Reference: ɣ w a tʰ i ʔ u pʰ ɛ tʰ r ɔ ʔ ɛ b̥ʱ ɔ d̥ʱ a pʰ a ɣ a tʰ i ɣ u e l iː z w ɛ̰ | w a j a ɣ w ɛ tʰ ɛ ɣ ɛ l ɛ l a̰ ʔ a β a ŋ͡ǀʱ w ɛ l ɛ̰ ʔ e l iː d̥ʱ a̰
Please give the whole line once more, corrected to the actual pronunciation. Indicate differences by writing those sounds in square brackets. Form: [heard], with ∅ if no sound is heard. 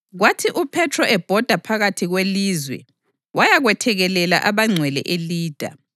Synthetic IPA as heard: ɣ w a tʰ i ʔ u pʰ ɛ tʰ r ɔ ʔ ɛ b̥ʱ ɔ d̥ʱ a pʰ a ɣ a tʰ i ɣ [w] e l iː z w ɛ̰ | w a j a ɣ w ɛ tʰ ɛ ɣ ɛ l ɛ l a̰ ʔ a β a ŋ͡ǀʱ w ɛ l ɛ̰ ʔ e l iː d̥ʱ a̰

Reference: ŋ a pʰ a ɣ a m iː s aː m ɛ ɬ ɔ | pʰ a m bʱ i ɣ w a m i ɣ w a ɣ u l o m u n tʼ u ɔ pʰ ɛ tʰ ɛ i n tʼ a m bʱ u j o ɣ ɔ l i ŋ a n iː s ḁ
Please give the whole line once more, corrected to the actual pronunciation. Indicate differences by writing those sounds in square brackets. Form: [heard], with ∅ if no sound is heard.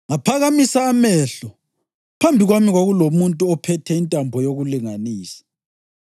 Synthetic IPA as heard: ŋ a pʰ a ɣ a m [i] s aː m ɛ ɬ ɔ | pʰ a m bʱ i ɣ w a m i ɣ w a ɣ u l o m u n tʼ u ɔ pʰ ɛ tʰ ɛ i n tʼ a m bʱ [ɔ] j o ɣ [u] l i ŋ a n iː s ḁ

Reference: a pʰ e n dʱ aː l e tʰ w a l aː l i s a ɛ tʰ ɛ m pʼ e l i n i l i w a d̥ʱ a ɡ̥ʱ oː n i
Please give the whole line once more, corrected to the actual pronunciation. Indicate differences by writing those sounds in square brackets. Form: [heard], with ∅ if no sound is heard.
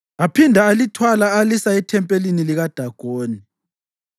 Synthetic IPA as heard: a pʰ [i] n dʱ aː l [i] tʰ w a l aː l i s a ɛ tʰ ɛ m pʼ e l i n i l i [ɣ] a d̥ʱ a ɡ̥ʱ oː n i

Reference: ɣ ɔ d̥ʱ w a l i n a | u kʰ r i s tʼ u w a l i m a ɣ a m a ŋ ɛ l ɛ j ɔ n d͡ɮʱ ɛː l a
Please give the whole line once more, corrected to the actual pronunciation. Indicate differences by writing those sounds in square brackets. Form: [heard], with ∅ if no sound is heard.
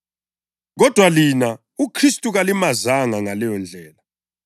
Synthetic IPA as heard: ɣ ɔ d̥ʱ w a l i n a | u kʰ r i s tʼ u [ɣ] a l i m a [z] a [ŋ] a ŋ [a] l ɛ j ɔ n d͡ɮʱ ɛː l a

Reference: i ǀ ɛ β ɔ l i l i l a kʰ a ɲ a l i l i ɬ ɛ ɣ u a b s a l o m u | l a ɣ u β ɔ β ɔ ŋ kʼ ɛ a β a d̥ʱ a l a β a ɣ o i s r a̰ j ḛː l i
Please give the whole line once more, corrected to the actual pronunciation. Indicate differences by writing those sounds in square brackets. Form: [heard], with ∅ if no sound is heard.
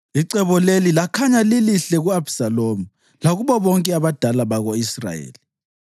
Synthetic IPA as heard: i ǀ ɛ β ɔ l [e] l i l a kʰ a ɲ a l i l i ɬ ɛ ɣ u a b s a l o m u | l a ɣ u β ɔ β ɔ ŋ kʼ ɛ a β a d̥ʱ a l a β a ɣ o i s r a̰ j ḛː l i

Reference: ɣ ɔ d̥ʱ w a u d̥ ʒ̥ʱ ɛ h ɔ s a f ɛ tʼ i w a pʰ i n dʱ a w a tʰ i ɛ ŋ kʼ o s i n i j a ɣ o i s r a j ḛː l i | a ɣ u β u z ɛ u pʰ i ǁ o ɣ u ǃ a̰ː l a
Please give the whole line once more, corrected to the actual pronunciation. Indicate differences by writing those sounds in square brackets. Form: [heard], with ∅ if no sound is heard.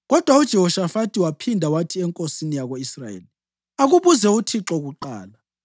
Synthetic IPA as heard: ɣ ɔ d̥ʱ w a u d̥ ʒ̥ʱ ɛ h ɔ [ʃ] a f [a] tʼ i w a pʰ i n dʱ a w a tʰ i ɛ ŋ kʼ o s i n i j a ɣ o i s r a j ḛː l i | a ɣ u β u z ɛ u [tʰ] i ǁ [ɔ] ɣ u ǃ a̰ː l a

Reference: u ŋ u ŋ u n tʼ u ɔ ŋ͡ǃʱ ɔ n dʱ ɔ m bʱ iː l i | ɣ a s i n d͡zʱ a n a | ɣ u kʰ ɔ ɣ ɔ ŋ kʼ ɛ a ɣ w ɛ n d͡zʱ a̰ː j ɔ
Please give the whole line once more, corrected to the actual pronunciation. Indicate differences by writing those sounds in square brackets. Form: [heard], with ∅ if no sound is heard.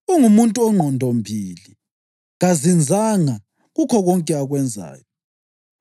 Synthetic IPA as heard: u ŋ u [m] u n tʼ u ɔ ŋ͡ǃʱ ɔ n dʱ ɔ m bʱ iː l i | ɣ a [z] i n d͡zʱ a [ŋ] a | ɣ u kʰ ɔ ɣ ɔ ŋ kʼ ɛ a ɣ w ɛ n d͡zʱ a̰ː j ɔ

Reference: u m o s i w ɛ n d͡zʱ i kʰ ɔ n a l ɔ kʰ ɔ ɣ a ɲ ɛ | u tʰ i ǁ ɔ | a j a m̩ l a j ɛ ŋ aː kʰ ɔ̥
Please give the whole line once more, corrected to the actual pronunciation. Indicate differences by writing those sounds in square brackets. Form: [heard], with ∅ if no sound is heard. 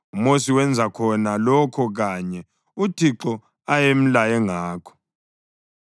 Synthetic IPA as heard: u m o s i w ɛ n d͡zʱ [a] kʰ ɔ n a l ɔ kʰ ɔ ɣ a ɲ ɛ | u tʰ i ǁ ɔ | a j [e] m̩ l a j ɛ ŋ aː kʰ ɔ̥

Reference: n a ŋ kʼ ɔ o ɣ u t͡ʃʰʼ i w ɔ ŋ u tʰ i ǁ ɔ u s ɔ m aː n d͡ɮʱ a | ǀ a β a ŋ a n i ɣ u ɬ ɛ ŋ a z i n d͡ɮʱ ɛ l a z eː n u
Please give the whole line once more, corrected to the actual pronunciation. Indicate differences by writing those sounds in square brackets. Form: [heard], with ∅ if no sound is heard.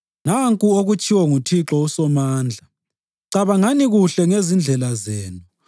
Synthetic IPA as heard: n a ŋ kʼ [u] o ɣ u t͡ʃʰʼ i w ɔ ŋ u tʰ i ǁ ɔ u s ɔ m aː n d͡ɮʱ a | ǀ a β a ŋ a n i ɣ u ɬ ɛ ŋ [e] z i n d͡ɮʱ ɛ l a z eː n u

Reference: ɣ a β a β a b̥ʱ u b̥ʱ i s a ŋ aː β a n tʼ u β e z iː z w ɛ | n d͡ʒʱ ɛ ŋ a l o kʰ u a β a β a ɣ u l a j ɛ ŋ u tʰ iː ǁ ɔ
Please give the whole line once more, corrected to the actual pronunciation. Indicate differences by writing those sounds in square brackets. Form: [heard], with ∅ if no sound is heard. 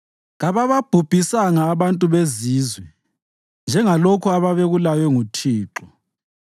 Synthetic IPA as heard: ɣ a β a β a b̥ʱ u b̥ʱ i s a ŋ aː β a n tʼ u β e z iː z w ɛ | n d͡ʒʱ ɛ ŋ a l o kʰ u a β a β [e] ɣ u l a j ɛ ŋ u tʰ iː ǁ ɔ

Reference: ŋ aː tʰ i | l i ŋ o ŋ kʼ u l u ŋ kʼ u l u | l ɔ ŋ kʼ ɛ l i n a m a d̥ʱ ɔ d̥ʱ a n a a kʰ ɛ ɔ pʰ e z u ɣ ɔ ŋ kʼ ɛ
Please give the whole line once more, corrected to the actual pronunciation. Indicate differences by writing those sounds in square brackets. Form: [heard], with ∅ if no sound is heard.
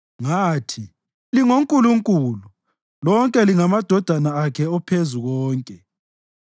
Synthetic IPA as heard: ŋ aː tʰ i | l i ŋ o ŋ kʼ u l u ŋ kʼ u l u | l ɔ ŋ kʼ ɛ l i [ŋ] a m a d̥ʱ ɔ d̥ʱ a n a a kʰ ɛ ɔ pʰ e z u ɣ [ɔː] ŋ kʼ ɛ

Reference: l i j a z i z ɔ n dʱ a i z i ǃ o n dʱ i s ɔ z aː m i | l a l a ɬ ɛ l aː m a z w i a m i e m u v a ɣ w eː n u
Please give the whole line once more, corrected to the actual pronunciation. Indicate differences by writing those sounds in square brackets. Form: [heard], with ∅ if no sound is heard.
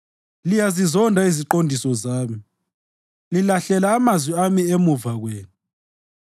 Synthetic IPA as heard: l i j a z i z ɔ n dʱ a i z i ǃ o n dʱ i s ɔ z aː m i | l [i] l a ɬ ɛ l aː m a z w i a m i e m u v a ɣ w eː n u

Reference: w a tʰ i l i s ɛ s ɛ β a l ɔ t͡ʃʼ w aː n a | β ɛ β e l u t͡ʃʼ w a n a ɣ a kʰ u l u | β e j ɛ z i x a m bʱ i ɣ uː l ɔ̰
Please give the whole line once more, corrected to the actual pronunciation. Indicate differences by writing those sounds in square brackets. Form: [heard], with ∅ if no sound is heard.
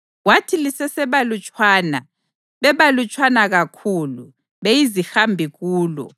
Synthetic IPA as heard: w a tʰ i l i s ɛ s ɛ β a l [u] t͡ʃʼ w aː n a | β ɛ β [a] l u t͡ʃʼ w a n a ɣ a kʰ u l u | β e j [i] z i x a m bʱ i ɣ uː l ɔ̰

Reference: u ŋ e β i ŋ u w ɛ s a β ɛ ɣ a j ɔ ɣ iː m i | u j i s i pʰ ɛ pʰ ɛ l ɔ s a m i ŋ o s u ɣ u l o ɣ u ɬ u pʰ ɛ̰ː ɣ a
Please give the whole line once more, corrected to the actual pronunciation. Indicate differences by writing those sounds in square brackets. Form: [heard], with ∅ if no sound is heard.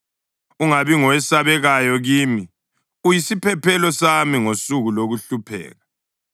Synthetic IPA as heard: u ŋ [a] β i ŋ [ɔ] w ɛ s a β ɛ ɣ a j ɔ ɣ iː m i | u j i s i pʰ ɛ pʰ ɛ l ɔ s a m i ŋ o s u ɣ u l o ɣ u ɬ u pʰ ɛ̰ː ɣ a

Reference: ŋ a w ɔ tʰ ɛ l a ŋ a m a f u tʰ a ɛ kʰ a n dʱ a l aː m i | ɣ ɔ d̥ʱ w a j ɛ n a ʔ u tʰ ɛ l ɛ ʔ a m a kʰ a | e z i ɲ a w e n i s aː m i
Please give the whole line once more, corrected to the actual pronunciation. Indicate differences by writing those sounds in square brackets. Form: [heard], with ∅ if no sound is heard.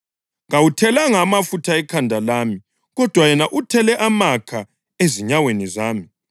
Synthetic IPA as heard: ŋ a w [u] tʰ ɛ l a ŋ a m a f u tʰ a ɛ kʰ a n dʱ a l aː m i | ɣ ɔ d̥ʱ w a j ɛ n a ʔ u tʰ ɛ l ɛ ʔ a m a kʰ a | e z i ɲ a w e n i [z] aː m i

